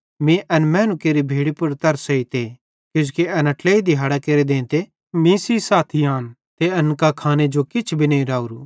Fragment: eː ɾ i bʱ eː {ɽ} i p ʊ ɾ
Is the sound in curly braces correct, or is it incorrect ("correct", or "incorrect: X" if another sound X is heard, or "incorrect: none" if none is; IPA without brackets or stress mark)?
correct